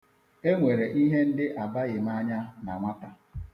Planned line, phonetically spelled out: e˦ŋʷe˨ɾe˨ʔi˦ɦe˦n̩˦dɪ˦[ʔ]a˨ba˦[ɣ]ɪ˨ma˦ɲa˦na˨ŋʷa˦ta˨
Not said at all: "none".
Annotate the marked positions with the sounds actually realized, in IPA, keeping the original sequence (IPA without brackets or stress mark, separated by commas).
ʔ, ɣ